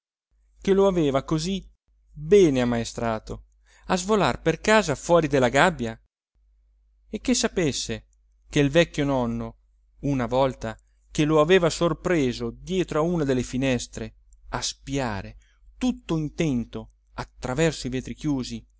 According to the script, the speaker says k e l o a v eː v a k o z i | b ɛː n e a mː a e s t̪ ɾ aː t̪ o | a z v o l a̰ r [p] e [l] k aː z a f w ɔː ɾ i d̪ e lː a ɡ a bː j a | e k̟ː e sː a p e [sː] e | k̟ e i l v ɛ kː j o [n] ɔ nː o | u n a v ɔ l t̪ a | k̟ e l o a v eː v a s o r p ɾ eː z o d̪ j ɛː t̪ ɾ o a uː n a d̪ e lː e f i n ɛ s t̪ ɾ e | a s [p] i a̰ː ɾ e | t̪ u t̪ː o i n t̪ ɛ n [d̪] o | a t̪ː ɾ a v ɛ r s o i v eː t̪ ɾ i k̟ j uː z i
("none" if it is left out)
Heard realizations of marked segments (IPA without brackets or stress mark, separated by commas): p, r, sː, n, p, t̪